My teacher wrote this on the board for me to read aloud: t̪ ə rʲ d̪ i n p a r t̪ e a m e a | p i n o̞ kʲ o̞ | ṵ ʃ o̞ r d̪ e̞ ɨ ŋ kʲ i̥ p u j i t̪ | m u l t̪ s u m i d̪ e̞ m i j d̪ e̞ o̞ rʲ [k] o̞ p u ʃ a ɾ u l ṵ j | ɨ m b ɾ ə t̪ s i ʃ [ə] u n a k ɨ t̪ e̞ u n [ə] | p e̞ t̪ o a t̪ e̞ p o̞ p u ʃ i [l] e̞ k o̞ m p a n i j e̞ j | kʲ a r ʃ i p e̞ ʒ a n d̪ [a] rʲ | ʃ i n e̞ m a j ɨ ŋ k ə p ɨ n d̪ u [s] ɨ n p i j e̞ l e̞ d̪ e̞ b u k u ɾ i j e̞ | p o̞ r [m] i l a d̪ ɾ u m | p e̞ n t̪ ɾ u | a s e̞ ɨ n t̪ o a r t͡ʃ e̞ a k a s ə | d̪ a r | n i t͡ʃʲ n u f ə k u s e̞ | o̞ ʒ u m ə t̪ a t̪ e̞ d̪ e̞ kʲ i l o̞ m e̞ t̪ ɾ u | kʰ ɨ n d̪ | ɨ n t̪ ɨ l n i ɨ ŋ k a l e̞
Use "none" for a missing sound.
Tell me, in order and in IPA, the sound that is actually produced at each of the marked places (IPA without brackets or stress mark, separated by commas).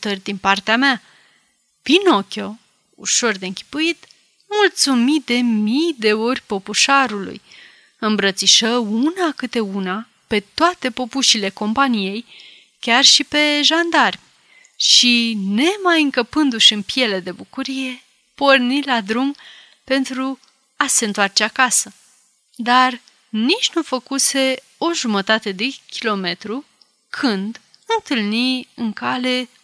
p, ə, a, l, a, ʃ, n